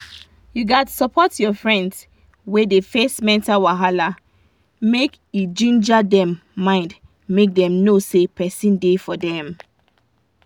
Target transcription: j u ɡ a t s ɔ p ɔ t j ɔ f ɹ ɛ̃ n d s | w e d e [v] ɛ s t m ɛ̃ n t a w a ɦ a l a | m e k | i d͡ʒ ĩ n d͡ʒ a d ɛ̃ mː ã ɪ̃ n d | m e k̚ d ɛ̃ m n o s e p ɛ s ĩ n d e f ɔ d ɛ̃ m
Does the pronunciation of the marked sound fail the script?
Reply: yes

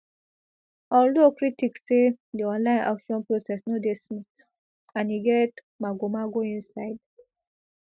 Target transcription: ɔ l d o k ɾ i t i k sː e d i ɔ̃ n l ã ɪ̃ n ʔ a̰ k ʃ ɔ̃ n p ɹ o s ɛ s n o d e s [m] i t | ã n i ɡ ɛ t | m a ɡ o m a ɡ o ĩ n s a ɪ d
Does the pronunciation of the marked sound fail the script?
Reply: no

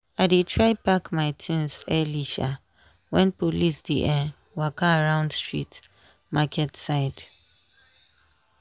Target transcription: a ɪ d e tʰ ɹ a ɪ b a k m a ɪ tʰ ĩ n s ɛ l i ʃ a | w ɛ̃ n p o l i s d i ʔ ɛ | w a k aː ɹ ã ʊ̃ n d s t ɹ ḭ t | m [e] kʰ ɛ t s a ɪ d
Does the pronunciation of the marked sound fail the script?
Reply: yes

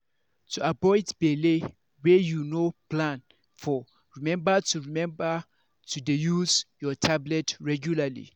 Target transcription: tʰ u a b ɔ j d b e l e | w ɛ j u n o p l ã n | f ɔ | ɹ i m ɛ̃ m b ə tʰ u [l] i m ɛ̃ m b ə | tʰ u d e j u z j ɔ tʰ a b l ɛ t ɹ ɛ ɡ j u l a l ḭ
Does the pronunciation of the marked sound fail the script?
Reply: yes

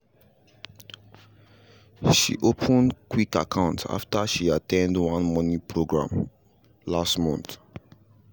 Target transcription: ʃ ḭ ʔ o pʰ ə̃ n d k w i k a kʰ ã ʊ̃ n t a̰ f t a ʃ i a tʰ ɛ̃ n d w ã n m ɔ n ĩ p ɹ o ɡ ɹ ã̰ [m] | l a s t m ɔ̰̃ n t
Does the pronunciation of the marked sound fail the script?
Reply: no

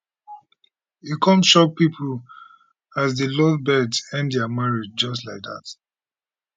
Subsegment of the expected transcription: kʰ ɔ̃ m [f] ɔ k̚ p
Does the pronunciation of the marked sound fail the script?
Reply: yes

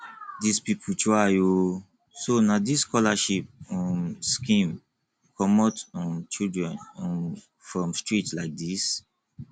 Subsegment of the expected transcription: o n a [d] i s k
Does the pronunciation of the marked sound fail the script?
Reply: no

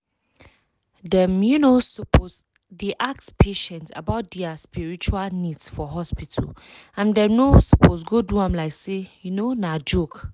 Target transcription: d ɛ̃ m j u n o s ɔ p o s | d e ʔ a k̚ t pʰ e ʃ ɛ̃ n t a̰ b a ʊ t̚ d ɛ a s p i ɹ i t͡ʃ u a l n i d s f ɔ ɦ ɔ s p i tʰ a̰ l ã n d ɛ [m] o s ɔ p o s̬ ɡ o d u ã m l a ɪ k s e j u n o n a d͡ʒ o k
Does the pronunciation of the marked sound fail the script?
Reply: yes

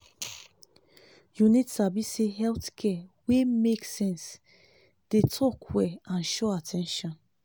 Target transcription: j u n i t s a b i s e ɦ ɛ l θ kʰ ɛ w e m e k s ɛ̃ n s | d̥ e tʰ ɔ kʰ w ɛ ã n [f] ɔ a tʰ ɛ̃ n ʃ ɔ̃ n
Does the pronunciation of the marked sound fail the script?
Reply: yes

